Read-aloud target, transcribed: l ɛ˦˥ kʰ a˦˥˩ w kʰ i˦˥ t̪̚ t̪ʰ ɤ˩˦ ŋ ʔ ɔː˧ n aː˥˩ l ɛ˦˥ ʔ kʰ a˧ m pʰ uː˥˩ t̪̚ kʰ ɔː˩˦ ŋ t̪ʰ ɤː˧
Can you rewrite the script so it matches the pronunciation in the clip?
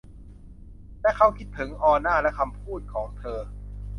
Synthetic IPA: l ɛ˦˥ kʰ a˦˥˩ w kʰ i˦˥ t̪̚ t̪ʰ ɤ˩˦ ŋ ʔ ɔː˧ n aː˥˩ l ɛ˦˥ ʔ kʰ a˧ m pʰ uː˥˩ t̪̚ kʰ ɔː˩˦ ŋ t̪ʰ ɤː˧